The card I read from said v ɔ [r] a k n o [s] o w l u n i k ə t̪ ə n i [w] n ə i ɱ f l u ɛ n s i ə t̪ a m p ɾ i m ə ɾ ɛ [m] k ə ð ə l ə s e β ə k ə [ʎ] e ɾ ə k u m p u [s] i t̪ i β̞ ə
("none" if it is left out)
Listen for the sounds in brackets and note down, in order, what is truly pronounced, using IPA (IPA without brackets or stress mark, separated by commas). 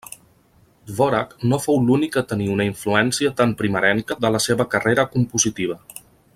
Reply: ɾ, f, u, ŋ, r, z